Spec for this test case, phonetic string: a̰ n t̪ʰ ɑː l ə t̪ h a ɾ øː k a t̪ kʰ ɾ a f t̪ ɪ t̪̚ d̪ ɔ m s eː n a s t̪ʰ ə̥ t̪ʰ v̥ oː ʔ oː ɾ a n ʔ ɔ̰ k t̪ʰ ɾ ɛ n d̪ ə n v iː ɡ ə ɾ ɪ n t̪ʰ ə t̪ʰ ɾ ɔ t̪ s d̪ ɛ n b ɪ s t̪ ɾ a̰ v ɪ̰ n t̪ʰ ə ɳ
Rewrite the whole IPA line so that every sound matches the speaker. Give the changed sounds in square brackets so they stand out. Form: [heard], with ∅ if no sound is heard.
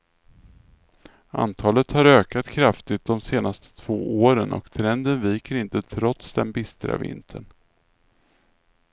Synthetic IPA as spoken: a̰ n t̪ʰ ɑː l ə t̪ h a ɾ øː k a t̪ kʰ ɾ a f t̪ ɪ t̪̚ d̪ ɔ m s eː n a s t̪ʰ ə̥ t̪ʰ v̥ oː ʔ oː ɾ [ə] n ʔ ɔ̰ k t̪ʰ ɾ ɛ n d̪ ə n v iː [k] ə ɾ ɪ n [t̪] ə t̪ʰ ɾ ɔ t̪ s d̪ ɛ n b ɪ s t̪ ɾ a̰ v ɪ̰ n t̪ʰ ə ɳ